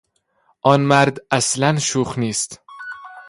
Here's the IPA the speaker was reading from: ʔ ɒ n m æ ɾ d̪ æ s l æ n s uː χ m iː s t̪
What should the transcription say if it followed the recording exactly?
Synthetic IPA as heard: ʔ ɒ n m æ ɾ d̪ æ s l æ n ʃ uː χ n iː s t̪